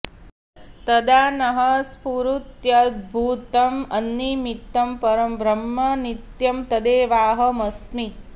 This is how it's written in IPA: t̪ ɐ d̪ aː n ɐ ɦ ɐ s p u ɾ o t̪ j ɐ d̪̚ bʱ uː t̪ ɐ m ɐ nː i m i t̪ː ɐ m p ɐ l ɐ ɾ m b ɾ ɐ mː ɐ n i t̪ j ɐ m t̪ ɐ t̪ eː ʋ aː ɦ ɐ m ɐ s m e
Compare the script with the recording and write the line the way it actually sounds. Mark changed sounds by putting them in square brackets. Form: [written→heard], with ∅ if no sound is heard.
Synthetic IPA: t̪ ɐ d̪ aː n ɐ ɦ ɐ s p u ɾ [o→u] t̪ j ɐ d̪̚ bʱ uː t̪ ɐ m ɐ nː i m i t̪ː ɐ m p ɐ [l→ɾ] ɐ [ɾ→∅] m b ɾ ɐ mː ɐ n i t̪ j ɐ m t̪ ɐ [t̪→d̪] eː ʋ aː ɦ ɐ m ɐ s m [e→i]